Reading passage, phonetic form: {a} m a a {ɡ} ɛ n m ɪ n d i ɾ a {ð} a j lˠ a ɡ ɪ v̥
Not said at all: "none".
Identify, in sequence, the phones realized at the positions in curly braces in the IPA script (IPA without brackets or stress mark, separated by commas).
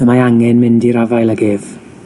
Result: ə, ŋ, v